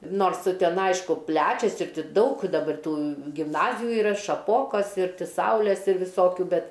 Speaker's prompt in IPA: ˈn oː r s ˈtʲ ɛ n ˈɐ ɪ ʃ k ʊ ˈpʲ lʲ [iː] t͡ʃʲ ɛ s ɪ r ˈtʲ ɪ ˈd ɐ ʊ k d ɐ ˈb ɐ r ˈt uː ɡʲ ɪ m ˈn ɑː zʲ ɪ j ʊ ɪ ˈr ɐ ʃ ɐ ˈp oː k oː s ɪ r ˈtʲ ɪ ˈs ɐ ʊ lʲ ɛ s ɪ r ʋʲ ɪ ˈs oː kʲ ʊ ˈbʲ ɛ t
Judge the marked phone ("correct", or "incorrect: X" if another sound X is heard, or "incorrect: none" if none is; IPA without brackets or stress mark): incorrect: æː